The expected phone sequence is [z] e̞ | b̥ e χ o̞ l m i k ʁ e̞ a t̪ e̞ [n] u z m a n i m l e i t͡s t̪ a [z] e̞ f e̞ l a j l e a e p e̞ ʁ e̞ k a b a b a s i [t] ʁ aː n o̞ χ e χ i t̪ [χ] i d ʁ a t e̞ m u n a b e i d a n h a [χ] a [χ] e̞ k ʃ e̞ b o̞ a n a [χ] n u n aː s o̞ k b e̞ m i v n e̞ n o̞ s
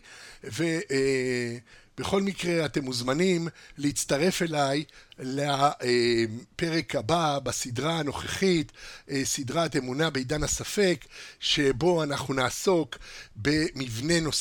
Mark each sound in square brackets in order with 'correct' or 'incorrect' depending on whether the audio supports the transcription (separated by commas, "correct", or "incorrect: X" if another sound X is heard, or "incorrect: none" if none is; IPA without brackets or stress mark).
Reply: incorrect: v, incorrect: m, incorrect: ʁ, incorrect: d, incorrect: s, incorrect: s, incorrect: f, correct